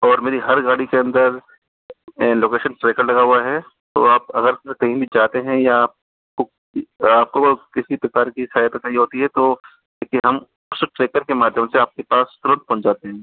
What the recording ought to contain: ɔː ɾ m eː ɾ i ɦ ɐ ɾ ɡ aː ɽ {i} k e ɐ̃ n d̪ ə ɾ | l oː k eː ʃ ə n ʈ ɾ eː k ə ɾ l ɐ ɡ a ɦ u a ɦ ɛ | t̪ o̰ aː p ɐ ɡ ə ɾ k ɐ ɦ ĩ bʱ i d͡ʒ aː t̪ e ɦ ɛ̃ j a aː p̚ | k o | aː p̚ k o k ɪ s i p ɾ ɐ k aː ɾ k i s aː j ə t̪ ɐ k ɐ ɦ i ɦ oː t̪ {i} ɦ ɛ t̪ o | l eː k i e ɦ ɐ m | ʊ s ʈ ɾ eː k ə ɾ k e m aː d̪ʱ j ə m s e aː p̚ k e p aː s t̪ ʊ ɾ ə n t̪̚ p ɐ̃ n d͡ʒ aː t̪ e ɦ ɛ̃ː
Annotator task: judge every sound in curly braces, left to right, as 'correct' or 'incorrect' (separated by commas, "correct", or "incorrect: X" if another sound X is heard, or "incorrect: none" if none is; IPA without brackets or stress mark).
correct, correct